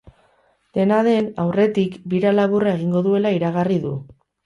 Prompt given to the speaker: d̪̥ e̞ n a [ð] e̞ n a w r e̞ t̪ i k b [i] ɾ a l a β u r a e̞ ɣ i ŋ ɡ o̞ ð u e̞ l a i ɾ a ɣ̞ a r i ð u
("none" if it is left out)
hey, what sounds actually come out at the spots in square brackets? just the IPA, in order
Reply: ð, i

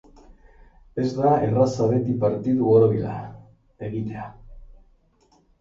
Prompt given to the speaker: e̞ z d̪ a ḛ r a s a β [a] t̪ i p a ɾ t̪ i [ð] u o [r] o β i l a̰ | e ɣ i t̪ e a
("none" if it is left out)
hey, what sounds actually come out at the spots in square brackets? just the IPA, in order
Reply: e, ð, ɾ

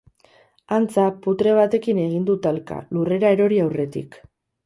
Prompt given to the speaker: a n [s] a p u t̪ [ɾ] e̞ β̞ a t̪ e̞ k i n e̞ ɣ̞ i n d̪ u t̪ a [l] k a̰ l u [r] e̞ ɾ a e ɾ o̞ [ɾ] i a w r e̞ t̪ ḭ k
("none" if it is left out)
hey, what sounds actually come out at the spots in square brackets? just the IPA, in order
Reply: t͡s, ɾ, l, r, ɾ

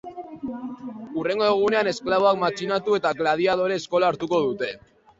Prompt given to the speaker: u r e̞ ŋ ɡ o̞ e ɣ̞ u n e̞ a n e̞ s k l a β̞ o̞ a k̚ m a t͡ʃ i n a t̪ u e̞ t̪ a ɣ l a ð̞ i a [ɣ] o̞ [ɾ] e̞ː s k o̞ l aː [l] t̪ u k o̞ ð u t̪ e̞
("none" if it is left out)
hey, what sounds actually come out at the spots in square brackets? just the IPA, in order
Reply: ð, ɾ, ɾ

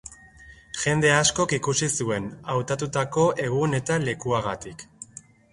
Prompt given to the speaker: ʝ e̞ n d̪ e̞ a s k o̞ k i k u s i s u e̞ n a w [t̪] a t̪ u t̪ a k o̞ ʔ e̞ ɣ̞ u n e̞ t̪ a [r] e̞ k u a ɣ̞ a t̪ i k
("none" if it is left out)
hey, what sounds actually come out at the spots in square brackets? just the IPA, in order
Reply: t̪, l

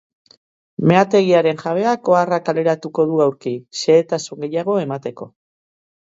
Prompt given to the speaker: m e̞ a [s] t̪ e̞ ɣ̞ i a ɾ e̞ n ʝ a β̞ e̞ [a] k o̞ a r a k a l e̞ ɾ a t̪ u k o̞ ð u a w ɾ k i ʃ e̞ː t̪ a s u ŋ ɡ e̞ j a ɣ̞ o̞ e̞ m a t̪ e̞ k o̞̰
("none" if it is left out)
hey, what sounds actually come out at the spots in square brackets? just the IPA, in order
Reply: none, a

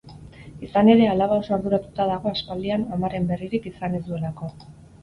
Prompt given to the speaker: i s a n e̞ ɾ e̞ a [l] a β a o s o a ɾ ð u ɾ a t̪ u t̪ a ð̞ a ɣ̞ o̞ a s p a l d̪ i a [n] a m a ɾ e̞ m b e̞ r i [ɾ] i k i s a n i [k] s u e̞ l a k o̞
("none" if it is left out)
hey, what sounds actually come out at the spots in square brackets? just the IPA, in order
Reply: l, n, ɾ, none

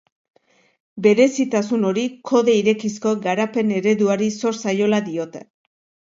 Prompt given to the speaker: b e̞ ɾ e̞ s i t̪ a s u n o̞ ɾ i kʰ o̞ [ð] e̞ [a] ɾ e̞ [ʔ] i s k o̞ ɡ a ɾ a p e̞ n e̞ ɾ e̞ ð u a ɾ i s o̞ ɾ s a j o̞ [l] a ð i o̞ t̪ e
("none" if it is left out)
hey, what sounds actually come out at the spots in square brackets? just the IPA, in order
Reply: ð, i, k, l

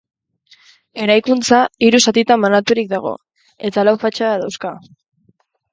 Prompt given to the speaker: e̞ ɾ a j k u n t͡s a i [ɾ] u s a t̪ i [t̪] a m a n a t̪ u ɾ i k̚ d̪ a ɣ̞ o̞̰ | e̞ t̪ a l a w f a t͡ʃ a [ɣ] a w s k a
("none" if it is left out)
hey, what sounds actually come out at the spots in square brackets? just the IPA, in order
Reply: ɾ, t̪, ð

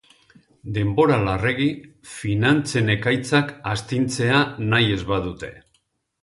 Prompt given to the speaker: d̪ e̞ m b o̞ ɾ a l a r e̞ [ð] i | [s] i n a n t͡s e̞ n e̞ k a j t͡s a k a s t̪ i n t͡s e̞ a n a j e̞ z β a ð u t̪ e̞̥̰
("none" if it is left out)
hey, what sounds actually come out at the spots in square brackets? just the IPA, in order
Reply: ɣ, f

